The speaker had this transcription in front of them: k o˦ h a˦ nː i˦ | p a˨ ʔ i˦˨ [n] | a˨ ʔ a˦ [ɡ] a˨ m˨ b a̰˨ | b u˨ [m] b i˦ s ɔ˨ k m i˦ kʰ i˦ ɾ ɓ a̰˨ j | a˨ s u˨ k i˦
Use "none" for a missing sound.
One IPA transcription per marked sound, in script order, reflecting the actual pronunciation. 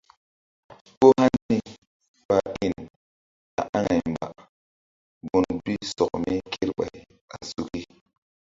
n, ŋ, n

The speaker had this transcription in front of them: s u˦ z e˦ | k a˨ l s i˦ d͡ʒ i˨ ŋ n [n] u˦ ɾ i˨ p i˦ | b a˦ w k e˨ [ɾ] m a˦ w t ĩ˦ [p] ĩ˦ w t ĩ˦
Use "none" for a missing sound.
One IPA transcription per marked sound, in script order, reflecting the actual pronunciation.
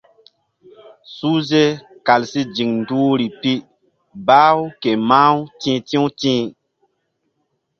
d, none, t

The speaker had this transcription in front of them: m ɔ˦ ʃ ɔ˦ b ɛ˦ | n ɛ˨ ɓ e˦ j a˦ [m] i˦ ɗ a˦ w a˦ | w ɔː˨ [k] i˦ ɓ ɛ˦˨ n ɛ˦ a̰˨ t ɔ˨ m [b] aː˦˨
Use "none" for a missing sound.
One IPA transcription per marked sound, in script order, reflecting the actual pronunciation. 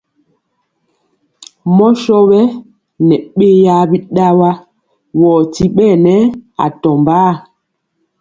b, t, b

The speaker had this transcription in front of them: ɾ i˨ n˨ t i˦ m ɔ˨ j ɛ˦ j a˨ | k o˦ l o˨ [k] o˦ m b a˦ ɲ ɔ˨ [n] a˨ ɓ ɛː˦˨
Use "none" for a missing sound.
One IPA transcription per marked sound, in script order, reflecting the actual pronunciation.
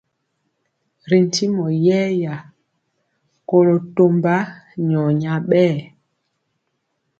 t, ɲ

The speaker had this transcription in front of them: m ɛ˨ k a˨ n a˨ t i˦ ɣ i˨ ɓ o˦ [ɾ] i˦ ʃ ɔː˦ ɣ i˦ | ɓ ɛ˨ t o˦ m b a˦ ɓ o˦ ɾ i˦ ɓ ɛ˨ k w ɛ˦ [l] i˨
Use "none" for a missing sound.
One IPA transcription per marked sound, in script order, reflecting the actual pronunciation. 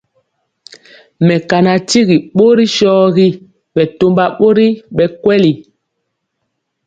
ɾ, l

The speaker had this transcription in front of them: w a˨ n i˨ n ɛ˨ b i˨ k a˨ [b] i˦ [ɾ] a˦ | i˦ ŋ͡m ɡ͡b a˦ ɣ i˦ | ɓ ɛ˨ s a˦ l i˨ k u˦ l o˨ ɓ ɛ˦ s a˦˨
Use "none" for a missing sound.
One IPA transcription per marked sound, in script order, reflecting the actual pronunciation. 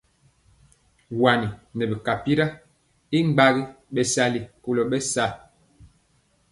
p, ɾ

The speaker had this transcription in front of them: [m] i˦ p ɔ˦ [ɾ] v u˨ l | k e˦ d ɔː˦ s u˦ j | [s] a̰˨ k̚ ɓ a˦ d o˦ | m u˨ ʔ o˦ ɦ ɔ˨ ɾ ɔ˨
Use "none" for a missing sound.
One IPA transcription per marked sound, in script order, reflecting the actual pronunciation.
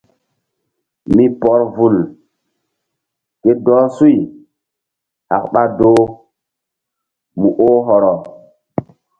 m, ɾ, h

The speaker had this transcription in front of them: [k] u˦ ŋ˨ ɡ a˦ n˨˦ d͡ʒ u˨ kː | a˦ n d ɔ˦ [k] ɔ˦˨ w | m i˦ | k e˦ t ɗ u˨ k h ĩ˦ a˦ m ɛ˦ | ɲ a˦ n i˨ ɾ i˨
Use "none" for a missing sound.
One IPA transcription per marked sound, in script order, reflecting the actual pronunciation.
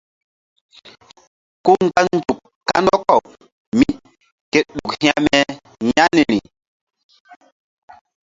k, k

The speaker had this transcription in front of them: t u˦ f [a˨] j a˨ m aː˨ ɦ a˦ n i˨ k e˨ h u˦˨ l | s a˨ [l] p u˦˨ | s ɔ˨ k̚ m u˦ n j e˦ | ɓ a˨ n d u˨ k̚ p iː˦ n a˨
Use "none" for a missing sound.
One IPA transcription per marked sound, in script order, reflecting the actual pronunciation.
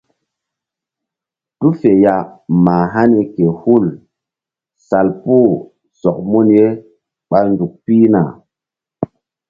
e˨, l

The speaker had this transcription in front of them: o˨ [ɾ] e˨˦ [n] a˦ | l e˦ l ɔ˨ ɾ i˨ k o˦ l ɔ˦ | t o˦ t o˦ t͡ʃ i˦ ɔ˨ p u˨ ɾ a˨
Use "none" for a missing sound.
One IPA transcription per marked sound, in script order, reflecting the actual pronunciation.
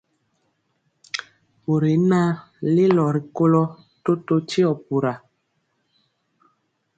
ɾ, n

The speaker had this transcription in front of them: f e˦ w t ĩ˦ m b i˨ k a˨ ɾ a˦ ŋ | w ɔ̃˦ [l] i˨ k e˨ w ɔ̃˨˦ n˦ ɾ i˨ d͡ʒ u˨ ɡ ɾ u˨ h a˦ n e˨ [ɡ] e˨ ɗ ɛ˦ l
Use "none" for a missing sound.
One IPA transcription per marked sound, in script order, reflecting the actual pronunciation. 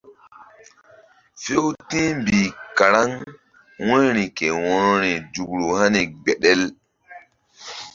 ɾ, ɡ͡b

